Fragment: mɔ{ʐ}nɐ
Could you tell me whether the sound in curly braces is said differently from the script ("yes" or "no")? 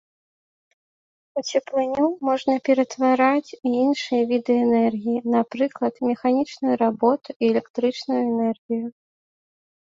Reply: no